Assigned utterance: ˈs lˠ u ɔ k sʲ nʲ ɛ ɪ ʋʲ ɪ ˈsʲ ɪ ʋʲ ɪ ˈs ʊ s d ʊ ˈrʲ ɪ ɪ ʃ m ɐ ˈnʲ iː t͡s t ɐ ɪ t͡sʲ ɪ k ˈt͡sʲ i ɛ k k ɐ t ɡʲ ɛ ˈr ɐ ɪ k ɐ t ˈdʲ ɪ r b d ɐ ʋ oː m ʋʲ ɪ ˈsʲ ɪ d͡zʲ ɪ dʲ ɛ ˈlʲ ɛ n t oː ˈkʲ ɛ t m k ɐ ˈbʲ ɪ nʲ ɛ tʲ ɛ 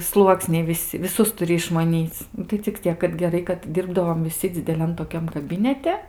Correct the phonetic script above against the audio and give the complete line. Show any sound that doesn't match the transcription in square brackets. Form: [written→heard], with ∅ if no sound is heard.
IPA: ˈs lˠ u ɔ k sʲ nʲ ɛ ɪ ʋʲ ɪ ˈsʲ ɪ ʋʲ ɪ ˈs ʊ s [d→t] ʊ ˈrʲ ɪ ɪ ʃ m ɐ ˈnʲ iː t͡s t ɐ ɪ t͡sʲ ɪ k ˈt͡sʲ i ɛ k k ɐ t ɡʲ ɛ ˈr ɐ ɪ k ɐ t ˈdʲ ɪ r b d ɐ ʋ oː m ʋʲ ɪ ˈsʲ ɪ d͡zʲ ɪ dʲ ɛ ˈlʲ ɛ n t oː ˈkʲ ɛ [t→∅] m k ɐ ˈbʲ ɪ nʲ ɛ tʲ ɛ

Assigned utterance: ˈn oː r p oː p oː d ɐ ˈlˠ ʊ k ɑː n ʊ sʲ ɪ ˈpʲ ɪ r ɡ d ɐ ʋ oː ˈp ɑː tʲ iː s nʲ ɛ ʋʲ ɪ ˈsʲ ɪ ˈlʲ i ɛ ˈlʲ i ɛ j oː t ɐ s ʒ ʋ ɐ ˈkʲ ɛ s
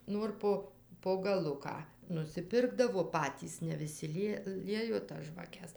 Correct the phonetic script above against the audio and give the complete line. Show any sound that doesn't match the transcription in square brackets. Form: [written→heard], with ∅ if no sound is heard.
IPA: ˈn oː r p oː p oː [d→ɡ] ɐ ˈlˠ ʊ k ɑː n ʊ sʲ ɪ ˈpʲ ɪ r ɡ d ɐ ʋ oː ˈp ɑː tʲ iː s nʲ ɛ ʋʲ ɪ ˈsʲ ɪ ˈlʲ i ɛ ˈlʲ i ɛ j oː t ɐ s ʒ ʋ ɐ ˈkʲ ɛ s

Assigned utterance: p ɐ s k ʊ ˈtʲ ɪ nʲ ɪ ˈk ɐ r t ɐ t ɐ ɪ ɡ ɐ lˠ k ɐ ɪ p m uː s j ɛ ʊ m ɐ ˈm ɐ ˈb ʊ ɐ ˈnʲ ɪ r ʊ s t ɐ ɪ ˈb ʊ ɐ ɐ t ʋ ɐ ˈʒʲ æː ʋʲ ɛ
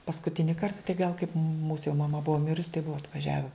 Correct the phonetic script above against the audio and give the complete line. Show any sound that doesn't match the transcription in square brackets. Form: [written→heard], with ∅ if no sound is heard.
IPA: p ɐ s k ʊ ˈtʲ ɪ nʲ ɪ ˈk ɐ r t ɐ t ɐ ɪ ɡ ɐ lˠ k ɐ ɪ p m uː s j ɛ ʊ m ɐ ˈm ɐ ˈb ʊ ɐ [ˈnʲ→ˈmʲ] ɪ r ʊ s t ɐ ɪ ˈb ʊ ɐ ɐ t ʋ ɐ ˈʒʲ æː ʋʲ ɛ

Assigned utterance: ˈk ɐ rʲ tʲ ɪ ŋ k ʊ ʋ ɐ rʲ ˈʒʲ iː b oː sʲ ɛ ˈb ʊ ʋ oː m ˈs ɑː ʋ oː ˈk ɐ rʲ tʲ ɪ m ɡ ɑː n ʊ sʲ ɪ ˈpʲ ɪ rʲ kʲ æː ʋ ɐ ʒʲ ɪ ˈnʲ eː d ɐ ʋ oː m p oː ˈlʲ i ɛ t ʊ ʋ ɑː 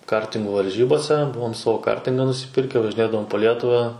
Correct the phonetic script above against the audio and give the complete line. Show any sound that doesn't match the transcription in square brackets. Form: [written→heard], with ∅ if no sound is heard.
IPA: ˈk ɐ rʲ tʲ ɪ ŋ [k→ɡ] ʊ ʋ ɐ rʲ ˈʒʲ iː b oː sʲ ɛ ˈb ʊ ʋ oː m ˈs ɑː ʋ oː ˈk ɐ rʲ tʲ ɪ [m→ŋ] ɡ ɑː n ʊ sʲ ɪ ˈpʲ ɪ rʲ kʲ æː ʋ ɐ ʒʲ ɪ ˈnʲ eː d ɐ ʋ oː m p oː ˈlʲ i ɛ t ʊ ʋ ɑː

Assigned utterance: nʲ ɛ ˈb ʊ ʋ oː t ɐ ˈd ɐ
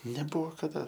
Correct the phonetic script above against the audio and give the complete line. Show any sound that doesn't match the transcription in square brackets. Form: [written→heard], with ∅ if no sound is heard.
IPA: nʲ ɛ ˈb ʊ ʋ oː [t→k] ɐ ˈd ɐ

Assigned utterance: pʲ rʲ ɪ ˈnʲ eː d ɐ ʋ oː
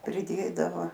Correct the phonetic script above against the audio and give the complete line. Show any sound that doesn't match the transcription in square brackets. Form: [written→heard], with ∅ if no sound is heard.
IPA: pʲ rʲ ɪ [ˈnʲ→ˈdʲ] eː d ɐ ʋ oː

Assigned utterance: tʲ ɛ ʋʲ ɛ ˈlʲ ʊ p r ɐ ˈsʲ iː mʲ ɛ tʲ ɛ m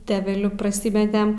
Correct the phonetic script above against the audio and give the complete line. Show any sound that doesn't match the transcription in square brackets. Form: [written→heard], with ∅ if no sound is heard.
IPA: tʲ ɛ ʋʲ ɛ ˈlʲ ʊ p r ɐ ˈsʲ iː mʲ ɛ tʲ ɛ m

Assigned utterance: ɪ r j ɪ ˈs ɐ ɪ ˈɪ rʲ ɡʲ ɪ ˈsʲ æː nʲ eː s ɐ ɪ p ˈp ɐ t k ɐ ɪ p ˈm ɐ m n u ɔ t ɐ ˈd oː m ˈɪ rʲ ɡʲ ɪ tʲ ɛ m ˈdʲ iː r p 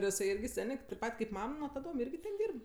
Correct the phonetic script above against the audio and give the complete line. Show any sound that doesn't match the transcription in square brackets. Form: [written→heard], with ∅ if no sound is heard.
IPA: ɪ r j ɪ ˈs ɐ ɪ ˈɪ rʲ ɡʲ ɪ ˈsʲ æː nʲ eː [s→t] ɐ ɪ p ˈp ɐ t k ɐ ɪ p ˈm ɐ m n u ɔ t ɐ ˈd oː m ˈɪ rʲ ɡʲ ɪ tʲ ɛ [m→n] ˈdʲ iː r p

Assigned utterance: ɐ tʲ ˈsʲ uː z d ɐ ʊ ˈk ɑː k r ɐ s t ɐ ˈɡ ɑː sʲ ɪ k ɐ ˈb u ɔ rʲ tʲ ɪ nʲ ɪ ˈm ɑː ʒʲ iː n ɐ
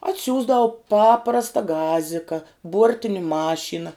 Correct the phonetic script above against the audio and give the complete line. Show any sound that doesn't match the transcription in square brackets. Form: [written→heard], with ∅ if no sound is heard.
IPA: ɐ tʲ ˈsʲ uː z d ɐ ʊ [ˈk→ˈp] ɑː [k→p] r ɐ s t ɐ ˈɡ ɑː [sʲ→zʲ] ɪ k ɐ ˈb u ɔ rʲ tʲ ɪ nʲ ɪ ˈm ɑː [ʒʲ→ʃʲ] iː n ɐ

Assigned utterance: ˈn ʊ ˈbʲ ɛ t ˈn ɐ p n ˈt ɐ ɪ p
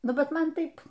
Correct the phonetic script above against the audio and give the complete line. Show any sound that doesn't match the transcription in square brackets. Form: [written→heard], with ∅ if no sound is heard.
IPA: ˈn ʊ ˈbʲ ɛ t [ˈn→ˈm] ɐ [p→∅] n ˈt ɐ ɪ p

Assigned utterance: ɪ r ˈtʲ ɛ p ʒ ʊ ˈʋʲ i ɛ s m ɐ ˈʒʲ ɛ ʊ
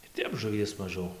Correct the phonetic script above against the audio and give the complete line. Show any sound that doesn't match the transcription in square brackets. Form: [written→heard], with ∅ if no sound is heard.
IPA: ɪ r ˈtʲ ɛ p ʒ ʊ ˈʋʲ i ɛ s m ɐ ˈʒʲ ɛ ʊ

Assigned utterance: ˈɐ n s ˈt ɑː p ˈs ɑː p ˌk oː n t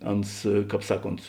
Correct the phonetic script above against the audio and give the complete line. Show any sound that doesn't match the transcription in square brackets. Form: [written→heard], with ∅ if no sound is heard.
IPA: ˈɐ n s [ˈt→ˈk] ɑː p ˈs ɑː [p→∅] ˌk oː n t

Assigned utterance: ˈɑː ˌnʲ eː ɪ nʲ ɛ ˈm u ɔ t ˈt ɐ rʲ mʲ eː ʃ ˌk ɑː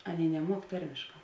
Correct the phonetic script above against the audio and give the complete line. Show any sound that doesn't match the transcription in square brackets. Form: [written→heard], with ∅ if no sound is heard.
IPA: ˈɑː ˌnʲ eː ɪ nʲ ɛ ˈm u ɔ [t→k] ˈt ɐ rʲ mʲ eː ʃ ˌk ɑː

